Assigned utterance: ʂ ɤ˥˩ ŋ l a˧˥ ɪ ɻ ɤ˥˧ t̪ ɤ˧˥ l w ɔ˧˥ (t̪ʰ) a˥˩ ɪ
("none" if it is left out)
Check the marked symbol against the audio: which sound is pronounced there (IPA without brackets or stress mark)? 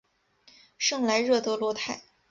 t̪ʰ